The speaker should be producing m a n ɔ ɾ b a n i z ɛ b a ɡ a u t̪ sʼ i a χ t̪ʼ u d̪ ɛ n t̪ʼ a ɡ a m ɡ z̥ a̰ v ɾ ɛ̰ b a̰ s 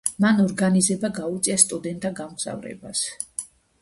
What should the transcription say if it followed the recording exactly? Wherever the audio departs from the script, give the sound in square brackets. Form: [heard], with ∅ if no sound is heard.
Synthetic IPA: m a n ɔ ɾ [ɡ] a n i z ɛ b a ɡ a u t̪ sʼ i a [s] t̪ʼ u d̪ ɛ n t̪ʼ a ɡ a m ɡ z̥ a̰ v ɾ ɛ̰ b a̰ s